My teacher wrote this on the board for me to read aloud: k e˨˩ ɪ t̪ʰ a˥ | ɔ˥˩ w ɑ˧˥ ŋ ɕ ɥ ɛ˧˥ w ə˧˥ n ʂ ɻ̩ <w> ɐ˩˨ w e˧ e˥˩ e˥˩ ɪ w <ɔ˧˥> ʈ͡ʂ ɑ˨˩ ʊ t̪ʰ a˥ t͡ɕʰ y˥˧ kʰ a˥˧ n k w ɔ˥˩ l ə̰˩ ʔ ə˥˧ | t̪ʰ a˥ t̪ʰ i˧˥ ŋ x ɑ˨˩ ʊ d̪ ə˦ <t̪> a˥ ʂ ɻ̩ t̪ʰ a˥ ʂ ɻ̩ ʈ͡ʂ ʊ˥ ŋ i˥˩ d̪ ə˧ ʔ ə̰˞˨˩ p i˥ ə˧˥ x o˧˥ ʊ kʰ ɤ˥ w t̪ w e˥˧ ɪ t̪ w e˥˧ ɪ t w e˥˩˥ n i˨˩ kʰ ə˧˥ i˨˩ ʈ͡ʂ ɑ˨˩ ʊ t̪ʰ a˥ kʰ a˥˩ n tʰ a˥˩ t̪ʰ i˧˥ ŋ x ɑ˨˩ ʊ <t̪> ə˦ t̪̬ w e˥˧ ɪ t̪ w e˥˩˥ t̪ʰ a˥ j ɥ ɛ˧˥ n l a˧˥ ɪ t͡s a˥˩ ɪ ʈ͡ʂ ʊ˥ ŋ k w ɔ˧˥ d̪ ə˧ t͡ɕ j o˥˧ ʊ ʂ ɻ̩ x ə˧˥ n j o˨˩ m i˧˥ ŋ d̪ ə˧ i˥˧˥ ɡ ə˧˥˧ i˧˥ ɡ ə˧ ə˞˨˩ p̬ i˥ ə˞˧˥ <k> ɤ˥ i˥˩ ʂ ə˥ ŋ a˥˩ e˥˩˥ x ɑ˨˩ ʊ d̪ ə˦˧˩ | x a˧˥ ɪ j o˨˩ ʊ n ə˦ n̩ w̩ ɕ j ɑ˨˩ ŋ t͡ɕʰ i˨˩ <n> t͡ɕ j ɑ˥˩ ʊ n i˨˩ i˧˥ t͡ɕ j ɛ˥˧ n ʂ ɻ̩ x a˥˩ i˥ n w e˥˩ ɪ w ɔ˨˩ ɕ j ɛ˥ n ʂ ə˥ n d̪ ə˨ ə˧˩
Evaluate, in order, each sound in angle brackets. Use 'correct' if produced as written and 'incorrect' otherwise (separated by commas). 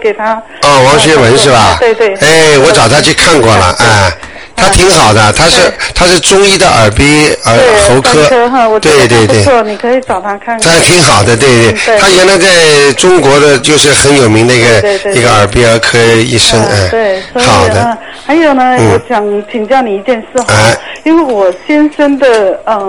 incorrect, correct, incorrect, incorrect, incorrect, incorrect